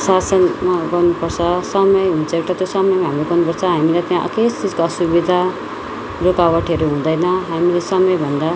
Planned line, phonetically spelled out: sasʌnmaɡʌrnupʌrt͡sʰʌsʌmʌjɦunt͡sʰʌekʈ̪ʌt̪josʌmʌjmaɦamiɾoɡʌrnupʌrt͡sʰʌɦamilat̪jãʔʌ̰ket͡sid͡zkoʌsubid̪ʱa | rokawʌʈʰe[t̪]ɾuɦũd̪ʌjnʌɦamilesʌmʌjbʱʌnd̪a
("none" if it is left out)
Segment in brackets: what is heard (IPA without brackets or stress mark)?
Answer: none